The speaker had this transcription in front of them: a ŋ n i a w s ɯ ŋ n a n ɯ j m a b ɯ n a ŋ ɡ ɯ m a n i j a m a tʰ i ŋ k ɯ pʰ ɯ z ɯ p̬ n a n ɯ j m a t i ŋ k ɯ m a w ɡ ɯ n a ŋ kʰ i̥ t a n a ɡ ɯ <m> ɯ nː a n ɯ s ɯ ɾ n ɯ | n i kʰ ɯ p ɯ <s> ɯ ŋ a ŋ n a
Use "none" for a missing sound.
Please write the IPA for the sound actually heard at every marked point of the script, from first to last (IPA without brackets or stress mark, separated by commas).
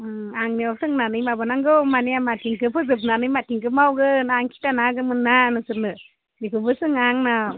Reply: m, s